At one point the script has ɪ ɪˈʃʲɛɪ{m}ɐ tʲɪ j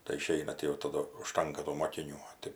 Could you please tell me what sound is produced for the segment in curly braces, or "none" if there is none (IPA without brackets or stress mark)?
n